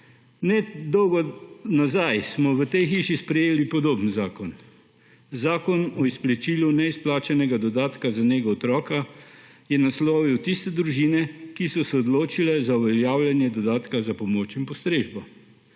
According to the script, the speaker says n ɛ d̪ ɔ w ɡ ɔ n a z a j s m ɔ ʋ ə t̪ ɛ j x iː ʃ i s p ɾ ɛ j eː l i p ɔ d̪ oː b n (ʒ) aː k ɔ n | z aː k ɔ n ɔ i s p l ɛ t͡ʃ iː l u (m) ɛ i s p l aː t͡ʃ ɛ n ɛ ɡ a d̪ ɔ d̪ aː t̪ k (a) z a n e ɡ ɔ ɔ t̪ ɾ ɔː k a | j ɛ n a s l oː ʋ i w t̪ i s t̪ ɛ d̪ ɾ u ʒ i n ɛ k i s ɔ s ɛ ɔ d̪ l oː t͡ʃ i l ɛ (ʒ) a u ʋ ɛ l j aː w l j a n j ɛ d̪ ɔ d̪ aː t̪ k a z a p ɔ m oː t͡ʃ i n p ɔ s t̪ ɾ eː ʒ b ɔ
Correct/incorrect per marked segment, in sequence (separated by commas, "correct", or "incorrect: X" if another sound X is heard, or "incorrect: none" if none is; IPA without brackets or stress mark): incorrect: z, incorrect: n, correct, incorrect: z